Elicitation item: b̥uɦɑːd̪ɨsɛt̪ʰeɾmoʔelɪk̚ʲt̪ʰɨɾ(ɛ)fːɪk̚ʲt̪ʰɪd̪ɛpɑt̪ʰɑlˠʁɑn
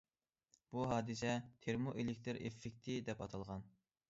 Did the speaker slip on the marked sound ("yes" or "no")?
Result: yes